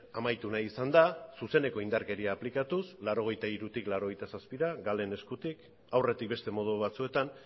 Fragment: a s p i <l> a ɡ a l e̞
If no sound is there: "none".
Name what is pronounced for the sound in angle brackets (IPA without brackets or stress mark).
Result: ɾ